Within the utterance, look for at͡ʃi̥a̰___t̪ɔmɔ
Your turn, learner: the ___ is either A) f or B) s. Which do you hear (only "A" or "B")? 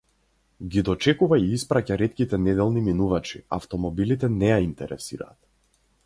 A